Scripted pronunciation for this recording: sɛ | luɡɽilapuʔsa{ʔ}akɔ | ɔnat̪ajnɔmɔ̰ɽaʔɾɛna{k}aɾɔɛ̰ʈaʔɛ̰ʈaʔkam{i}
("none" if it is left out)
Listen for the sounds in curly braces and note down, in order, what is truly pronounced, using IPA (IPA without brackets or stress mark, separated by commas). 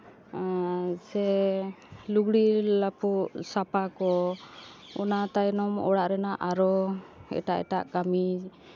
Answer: p, ʔ, i